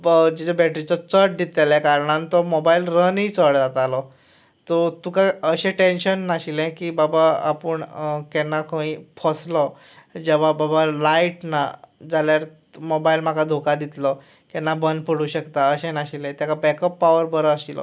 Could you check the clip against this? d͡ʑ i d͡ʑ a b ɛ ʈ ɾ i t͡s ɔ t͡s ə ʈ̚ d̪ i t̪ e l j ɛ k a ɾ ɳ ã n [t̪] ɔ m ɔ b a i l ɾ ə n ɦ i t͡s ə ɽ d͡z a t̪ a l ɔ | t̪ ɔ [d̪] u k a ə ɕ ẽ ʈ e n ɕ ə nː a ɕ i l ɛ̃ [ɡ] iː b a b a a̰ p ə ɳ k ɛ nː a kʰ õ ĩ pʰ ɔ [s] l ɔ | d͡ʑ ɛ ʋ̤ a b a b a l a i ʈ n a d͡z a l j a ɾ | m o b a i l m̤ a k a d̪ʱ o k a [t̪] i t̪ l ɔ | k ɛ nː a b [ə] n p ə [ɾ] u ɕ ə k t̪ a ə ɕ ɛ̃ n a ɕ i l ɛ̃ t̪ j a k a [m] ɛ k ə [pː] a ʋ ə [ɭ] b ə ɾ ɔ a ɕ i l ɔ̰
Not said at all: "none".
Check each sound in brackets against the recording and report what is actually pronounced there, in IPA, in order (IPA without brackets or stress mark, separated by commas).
t̪, t̪, k, s, d̪, ə, ɽ, b, pː, ɾ